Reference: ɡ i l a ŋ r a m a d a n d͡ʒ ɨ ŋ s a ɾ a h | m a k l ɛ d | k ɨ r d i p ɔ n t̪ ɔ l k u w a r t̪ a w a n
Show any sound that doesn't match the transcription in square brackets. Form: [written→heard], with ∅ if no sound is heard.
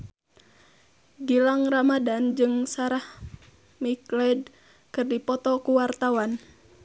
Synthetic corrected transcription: ɡ i l a ŋ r a m a d a n d͡ʒ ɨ ŋ s a ɾ a h | m [a→i] k l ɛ d | k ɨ r d i p ɔ [n→∅] t̪ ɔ [l→∅] k u w a r t̪ a w a n